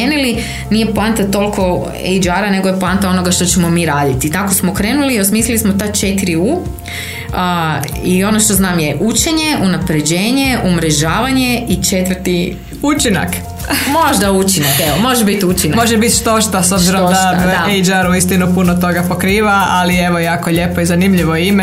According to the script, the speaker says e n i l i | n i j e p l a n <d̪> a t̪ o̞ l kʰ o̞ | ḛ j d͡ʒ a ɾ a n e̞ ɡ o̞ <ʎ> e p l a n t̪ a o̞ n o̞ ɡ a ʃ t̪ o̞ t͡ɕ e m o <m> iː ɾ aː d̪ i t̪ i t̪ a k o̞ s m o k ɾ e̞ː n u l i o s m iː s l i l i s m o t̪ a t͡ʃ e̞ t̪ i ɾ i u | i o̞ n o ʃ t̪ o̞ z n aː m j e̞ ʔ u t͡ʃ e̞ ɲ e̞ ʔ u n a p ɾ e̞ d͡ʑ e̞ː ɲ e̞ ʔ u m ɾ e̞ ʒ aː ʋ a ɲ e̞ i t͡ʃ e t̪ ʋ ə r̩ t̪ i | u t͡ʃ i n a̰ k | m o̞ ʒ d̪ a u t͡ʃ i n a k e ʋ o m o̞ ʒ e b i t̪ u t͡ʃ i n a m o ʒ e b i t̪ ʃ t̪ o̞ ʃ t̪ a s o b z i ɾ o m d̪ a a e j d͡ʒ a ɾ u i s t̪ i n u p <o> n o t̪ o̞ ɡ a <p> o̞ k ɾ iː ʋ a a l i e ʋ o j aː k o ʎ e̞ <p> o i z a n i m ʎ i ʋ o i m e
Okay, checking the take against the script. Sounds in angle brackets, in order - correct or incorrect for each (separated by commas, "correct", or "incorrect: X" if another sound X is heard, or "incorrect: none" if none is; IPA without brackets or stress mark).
incorrect: t̪, incorrect: j, correct, incorrect: u, correct, correct